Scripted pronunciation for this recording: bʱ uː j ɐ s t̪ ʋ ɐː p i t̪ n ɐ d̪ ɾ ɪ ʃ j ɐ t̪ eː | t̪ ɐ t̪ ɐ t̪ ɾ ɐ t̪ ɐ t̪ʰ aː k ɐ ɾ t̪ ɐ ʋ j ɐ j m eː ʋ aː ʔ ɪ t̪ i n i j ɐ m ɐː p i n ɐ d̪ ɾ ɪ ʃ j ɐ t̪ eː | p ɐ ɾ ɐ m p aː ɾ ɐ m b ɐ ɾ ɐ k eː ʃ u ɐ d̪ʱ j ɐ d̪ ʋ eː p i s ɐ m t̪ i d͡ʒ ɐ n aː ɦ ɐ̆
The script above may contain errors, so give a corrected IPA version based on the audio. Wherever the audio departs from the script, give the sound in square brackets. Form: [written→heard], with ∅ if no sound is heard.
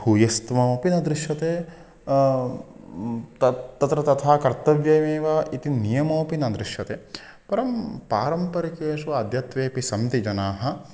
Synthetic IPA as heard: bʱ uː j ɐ s t̪ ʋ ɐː p i [t̪→∅] n ɐ d̪ ɾ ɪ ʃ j ɐ t̪ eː | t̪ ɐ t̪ ɐ t̪ ɾ ɐ t̪ ɐ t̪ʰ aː k ɐ ɾ t̪ ɐ ʋ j ɐ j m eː ʋ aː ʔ [ɪ→i] t̪ i n i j ɐ m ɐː p i n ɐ d̪ ɾ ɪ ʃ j ɐ t̪ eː | p ɐ ɾ ɐ m p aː ɾ ɐ m [b→p] ɐ ɾ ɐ k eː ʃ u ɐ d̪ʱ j ɐ [d̪→t̪] ʋ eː p i s ɐ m t̪ i d͡ʒ ɐ n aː ɦ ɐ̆

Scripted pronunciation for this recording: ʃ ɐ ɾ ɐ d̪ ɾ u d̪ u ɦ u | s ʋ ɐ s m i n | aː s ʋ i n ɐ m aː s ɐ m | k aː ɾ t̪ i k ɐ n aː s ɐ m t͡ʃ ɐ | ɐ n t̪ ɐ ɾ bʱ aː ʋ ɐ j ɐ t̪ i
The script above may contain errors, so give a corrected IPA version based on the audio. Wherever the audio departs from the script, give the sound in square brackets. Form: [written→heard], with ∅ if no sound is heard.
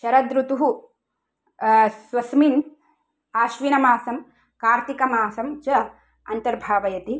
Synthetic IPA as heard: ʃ ɐ ɾ ɐ d̪ ɾ u [d̪→t̪] u ɦ u | s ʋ ɐ s m i n | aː [s→ʃ] ʋ i n ɐ m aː s ɐ m | k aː ɾ t̪ i k ɐ [n→m] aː s ɐ m t͡ʃ ɐ | ɐ n t̪ ɐ ɾ bʱ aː ʋ ɐ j ɐ t̪ i

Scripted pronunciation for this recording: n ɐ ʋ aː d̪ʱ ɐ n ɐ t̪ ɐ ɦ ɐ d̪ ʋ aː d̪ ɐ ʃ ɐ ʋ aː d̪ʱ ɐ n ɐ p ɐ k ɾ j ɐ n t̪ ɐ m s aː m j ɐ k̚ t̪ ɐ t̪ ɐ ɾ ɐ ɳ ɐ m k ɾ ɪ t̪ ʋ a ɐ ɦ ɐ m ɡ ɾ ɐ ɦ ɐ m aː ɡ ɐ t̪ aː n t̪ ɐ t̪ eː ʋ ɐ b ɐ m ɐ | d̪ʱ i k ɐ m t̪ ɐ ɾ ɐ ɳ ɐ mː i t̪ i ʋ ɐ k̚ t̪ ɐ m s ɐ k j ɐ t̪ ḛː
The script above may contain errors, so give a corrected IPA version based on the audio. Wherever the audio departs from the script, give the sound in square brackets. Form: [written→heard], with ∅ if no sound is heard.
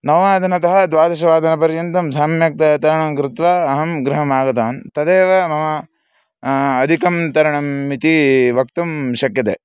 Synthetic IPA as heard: n ɐ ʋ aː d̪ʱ ɐ n ɐ t̪ ɐ ɦ ɐ d̪ ʋ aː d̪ ɐ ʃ ɐ ʋ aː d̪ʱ ɐ n ɐ p ɐ [k→∅] ɾ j ɐ n t̪ ɐ m s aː m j ɐ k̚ t̪ ɐ t̪ ɐ ɾ ɐ ɳ ɐ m k ɾ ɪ t̪ ʋ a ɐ ɦ ɐ m ɡ ɾ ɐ ɦ ɐ m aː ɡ ɐ t̪ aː n t̪ ɐ [t̪→d̪] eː ʋ ɐ [b→m] ɐ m ɐ | d̪ʱ i k ɐ m t̪ ɐ ɾ ɐ ɳ ɐ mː i t̪ i ʋ ɐ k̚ t̪ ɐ m [s→ʃ] ɐ k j ɐ t̪ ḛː

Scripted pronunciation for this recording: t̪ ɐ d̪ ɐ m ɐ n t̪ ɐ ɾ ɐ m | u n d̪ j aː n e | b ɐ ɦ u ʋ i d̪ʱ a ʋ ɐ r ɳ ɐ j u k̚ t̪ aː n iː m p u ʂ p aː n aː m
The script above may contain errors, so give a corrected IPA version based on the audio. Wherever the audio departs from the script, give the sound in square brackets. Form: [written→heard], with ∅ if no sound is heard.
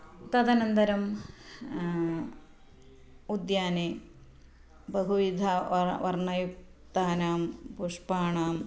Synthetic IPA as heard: t̪ ɐ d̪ ɐ [m→n] ɐ n [t̪→d̪] ɐ ɾ ɐ m | u [n→∅] d̪ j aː n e | b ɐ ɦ u ʋ i d̪ʱ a ʋ ɐ r ɳ ɐ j u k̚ t̪ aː n [iː→aː] m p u ʂ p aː [n→ɳ] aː m

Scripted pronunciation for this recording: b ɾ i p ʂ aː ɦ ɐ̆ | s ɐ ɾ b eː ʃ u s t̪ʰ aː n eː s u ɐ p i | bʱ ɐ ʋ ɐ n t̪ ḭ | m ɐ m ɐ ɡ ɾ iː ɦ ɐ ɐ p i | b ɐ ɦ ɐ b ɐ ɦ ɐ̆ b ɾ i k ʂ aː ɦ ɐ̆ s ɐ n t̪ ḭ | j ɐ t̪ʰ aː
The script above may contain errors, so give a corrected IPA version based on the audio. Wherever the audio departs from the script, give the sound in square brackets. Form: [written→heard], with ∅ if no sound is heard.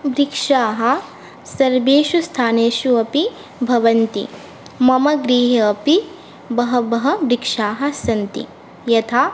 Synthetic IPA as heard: b ɾ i [p→k] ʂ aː ɦ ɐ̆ | s ɐ ɾ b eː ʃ u s t̪ʰ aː n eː [s→ʃ] u ɐ p i | bʱ ɐ ʋ ɐ n t̪ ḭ | m ɐ m ɐ ɡ ɾ iː ɦ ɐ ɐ p i | b ɐ ɦ ɐ b ɐ ɦ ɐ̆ b ɾ i k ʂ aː ɦ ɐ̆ s ɐ n t̪ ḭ | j ɐ t̪ʰ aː

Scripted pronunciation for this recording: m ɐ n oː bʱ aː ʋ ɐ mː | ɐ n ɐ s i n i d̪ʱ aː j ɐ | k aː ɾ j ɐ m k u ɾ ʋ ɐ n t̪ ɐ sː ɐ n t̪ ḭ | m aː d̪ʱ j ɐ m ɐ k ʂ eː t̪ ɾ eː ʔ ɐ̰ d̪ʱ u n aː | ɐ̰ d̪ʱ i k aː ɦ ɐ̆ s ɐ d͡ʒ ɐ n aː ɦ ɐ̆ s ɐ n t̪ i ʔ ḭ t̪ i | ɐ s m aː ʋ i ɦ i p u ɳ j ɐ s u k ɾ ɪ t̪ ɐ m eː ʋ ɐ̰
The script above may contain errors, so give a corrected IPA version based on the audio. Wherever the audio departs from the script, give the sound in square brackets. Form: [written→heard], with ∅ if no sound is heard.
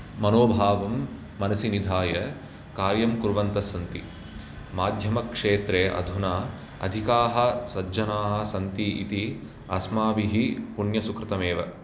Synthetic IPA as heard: m ɐ n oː bʱ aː ʋ ɐ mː | ɐ n ɐ s i n i d̪ʱ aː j ɐ | k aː ɾ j ɐ m k u ɾ ʋ ɐ n t̪ ɐ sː ɐ n t̪ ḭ | m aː d̪ʱ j ɐ m ɐ k ʂ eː t̪ ɾ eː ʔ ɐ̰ d̪ʱ u n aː | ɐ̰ d̪ʱ i k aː ɦ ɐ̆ s ɐ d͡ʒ ɐ n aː ɦ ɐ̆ s ɐ n t̪ i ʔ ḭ t̪ i | ɐ s m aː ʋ i ɦ i p u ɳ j ɐ s u k ɾ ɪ t̪ ɐ m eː ʋ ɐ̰

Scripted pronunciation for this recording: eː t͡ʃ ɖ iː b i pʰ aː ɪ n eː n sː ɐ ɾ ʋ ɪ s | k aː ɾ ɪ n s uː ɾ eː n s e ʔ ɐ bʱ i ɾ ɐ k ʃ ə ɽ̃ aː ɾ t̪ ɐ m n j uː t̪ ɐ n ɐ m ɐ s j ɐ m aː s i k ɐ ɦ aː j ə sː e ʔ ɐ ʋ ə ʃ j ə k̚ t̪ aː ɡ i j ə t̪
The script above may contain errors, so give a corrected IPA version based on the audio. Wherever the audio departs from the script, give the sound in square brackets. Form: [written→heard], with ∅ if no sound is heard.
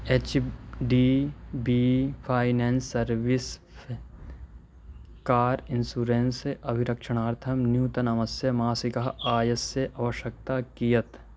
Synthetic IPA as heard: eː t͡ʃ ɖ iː b i pʰ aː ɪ n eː n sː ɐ ɾ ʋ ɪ s | k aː ɾ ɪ n s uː ɾ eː n s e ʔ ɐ bʱ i ɾ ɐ k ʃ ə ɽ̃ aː ɾ [t̪→t̪ʰ] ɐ m n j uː t̪ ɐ n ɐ m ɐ s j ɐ m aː s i k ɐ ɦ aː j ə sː e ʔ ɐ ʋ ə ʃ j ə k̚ t̪ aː [ɡ→k] i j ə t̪

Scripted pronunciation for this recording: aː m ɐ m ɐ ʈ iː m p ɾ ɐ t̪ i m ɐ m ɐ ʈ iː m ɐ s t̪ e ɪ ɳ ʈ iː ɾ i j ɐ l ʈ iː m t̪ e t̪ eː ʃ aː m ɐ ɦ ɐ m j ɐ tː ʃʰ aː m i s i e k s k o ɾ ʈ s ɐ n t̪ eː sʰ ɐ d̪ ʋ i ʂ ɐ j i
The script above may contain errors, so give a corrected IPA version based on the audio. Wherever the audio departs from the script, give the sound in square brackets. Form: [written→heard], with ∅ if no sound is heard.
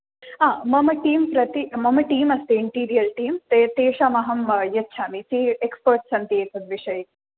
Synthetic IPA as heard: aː m ɐ m ɐ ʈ iː m p ɾ ɐ t̪ i m ɐ m ɐ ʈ iː m ɐ s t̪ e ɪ ɳ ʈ iː ɾ i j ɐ l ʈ iː m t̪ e t̪ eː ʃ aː m ɐ ɦ ɐ m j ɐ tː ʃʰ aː m i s i e k s [k→p] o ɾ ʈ s ɐ n t̪ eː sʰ ɐ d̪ ʋ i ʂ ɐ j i

